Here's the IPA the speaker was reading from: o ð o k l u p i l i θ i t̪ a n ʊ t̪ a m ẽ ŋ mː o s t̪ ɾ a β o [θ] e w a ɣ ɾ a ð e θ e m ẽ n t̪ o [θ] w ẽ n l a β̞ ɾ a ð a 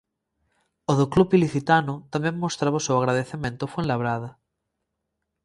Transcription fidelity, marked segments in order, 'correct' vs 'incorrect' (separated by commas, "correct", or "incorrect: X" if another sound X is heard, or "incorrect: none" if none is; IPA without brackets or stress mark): incorrect: s, incorrect: f